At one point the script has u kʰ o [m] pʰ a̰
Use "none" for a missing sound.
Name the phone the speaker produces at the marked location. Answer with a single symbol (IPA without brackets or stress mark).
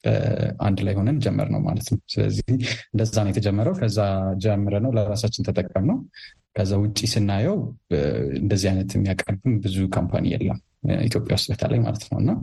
m